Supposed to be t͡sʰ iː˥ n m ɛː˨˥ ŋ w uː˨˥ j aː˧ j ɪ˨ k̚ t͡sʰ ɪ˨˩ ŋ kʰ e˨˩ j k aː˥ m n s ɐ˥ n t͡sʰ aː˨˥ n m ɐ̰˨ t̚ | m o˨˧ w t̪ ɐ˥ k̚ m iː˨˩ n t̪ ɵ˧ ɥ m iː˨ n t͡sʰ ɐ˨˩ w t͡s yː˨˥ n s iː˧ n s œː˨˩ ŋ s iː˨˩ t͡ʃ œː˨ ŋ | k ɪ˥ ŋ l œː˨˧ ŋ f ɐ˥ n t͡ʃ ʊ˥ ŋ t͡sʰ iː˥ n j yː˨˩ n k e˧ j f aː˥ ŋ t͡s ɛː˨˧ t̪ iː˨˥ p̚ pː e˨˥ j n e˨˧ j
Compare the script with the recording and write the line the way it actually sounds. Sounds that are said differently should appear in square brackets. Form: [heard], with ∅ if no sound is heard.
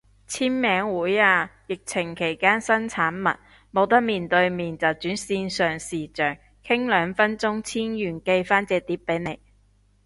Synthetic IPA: t͡sʰ iː˥ n m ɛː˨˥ ŋ w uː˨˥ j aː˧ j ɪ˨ k̚ t͡sʰ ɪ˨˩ ŋ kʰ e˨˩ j k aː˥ [∅] n s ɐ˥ n t͡sʰ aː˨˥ n m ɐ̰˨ t̚ | m o˨˧ w t̪ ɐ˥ k̚ m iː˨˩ n t̪ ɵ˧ ɥ m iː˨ n [t͡s] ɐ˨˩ w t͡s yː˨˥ n s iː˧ n s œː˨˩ ŋ s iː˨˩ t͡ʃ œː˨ ŋ | [kʰ] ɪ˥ ŋ l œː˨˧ ŋ f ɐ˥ n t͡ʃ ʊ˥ ŋ t͡sʰ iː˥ n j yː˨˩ n k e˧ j f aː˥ [n] t͡s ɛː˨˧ t̪ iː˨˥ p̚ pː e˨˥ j n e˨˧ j